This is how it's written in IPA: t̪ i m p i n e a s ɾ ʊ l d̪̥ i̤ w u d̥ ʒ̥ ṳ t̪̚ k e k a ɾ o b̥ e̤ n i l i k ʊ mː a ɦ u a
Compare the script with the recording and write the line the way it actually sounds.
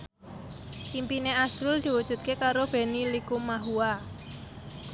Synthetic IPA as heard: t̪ i m p i n e a s ɾ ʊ l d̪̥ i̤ w u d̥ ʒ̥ ṳ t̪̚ k e k a ɾ o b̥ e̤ n i l i k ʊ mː a ɦ u a